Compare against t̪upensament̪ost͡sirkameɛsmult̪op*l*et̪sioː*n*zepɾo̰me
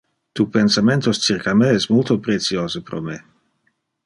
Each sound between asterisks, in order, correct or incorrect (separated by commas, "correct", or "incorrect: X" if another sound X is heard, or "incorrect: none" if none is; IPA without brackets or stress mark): incorrect: ɾ, incorrect: none